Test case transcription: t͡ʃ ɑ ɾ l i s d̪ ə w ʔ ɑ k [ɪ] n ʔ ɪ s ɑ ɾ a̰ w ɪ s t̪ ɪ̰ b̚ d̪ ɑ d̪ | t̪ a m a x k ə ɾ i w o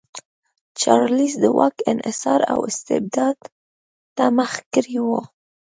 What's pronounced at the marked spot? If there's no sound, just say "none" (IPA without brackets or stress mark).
ɪ